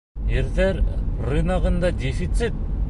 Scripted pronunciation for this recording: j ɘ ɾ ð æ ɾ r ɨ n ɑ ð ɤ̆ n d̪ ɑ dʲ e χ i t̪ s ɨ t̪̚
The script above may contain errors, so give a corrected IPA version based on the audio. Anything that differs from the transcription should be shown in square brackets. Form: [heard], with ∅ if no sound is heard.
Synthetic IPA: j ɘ ɾ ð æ ɾ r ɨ n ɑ [ʁ] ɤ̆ n d̪ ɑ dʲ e [f] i t̪ s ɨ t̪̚